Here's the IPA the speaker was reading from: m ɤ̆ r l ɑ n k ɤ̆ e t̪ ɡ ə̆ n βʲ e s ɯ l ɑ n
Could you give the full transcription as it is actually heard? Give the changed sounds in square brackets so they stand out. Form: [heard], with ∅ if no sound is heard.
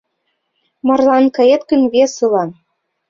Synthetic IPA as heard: m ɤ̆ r l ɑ n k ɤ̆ e t̪ [k] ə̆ n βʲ e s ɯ l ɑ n

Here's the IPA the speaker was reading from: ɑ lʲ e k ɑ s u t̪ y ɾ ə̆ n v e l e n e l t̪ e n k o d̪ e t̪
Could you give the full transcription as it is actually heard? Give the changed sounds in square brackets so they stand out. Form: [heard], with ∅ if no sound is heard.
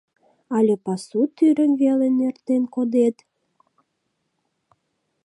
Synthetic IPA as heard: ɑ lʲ e [p] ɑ s u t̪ y ɾ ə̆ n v e l e n e [r] t̪ e n k o d̪ e t̪

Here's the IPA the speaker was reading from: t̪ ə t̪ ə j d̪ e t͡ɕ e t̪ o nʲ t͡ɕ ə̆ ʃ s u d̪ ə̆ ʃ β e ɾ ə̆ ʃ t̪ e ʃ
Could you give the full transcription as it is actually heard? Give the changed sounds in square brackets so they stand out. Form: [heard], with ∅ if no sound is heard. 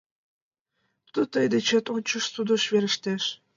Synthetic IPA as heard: t̪ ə t̪ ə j d̪ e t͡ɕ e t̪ o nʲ t͡ɕ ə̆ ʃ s u d̪ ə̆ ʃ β e ɾ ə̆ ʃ t̪ e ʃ

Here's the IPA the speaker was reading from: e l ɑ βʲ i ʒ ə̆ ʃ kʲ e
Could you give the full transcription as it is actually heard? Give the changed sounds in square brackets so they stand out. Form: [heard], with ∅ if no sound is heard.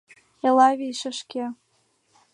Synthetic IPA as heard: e l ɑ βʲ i [ʃ] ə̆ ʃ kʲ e

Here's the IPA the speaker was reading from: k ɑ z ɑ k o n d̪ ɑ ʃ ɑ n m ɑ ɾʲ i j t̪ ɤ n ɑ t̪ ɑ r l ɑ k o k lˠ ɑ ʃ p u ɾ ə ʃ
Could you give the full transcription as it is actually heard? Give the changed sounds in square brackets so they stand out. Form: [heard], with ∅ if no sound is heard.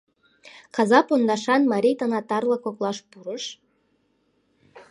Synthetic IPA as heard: k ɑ z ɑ [p] o n d̪ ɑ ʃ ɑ n m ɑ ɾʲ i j t̪ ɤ n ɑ t̪ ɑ r l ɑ k o k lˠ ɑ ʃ p u ɾ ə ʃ

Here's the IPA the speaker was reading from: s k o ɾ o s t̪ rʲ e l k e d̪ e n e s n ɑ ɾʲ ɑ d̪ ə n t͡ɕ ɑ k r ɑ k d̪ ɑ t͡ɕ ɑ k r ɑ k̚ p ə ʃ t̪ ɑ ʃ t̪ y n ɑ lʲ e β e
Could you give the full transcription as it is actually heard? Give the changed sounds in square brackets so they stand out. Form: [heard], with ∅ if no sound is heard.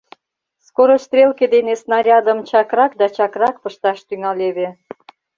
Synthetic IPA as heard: s k o ɾ o s t̪ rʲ e l k e d̪ e n e s n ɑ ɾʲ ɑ d̪ ə [m] t͡ɕ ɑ k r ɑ k d̪ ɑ t͡ɕ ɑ k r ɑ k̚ p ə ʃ t̪ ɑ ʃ t̪ y [ŋ] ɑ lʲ e β e

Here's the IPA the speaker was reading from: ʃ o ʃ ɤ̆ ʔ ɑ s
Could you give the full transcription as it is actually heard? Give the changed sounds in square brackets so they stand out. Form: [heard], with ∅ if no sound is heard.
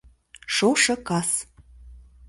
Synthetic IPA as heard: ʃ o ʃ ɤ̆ [k] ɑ s

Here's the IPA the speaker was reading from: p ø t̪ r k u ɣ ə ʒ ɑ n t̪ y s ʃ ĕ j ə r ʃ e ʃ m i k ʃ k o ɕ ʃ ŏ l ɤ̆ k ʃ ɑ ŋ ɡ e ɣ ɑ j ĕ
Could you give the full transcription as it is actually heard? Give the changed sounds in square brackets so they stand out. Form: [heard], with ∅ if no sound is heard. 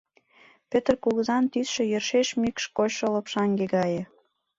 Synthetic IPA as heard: p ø t̪ r k u ɣ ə [z] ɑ n t̪ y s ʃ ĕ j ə r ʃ e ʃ m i k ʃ k o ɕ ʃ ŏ l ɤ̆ [p] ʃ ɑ ŋ ɡ e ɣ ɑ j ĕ

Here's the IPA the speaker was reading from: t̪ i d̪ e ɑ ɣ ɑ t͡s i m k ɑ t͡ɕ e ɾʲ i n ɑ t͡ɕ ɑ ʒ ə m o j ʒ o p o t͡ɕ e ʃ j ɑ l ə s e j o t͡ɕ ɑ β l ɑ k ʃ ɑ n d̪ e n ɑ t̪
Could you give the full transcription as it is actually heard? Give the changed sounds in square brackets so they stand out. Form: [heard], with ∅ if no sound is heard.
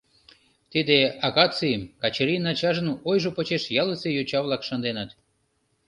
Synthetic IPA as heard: t̪ i d̪ e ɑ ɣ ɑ t͡s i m k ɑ t͡ɕ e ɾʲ i n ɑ t͡ɕ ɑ ʒ ə [n] o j ʒ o p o t͡ɕ e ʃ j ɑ l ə s e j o t͡ɕ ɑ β l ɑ k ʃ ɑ n d̪ e n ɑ t̪

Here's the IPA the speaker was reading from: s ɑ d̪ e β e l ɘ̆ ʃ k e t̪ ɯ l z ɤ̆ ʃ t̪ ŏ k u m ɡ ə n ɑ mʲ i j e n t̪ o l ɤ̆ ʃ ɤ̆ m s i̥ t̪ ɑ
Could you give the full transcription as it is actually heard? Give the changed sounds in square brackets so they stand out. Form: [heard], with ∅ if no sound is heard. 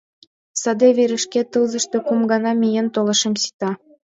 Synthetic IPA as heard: s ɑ d̪ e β e [ɾ] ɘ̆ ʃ k e t̪ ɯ l z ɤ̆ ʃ t̪ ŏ k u m ɡ [ɑ] n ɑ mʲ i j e n t̪ o l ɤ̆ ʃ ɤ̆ m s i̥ t̪ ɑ

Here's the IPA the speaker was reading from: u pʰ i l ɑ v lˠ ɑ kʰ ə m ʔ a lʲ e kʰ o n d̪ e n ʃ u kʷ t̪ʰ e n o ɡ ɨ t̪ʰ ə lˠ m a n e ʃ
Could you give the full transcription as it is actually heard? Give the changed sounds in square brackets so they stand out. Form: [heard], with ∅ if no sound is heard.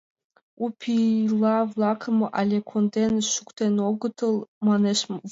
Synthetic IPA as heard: u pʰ i l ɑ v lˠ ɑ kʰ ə m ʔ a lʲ e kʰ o n d̪ e n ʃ u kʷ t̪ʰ e n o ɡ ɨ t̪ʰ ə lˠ m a n e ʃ

